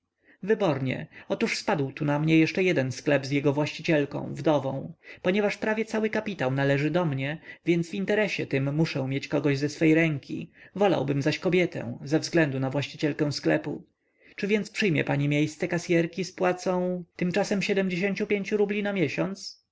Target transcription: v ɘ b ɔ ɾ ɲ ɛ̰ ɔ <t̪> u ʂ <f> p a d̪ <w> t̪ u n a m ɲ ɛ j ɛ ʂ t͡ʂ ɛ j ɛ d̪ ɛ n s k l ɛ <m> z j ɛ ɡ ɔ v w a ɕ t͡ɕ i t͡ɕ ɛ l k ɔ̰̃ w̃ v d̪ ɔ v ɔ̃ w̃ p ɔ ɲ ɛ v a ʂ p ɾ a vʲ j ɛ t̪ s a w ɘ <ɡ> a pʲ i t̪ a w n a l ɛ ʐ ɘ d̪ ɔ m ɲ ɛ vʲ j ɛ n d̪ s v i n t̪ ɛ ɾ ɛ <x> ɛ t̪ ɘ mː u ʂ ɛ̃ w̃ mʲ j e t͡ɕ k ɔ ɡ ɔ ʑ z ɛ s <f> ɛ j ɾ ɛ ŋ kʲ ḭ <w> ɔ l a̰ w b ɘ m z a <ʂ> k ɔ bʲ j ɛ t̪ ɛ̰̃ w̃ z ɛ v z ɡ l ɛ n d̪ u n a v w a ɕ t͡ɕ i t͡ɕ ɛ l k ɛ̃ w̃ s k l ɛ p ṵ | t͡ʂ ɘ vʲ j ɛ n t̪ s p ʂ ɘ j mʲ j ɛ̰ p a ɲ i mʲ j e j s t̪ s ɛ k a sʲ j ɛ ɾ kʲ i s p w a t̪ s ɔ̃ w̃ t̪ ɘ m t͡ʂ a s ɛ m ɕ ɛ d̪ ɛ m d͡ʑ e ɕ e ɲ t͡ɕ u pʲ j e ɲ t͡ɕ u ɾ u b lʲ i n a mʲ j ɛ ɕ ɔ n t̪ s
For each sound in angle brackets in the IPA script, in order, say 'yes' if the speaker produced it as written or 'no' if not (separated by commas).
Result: yes, no, yes, no, no, no, yes, no, no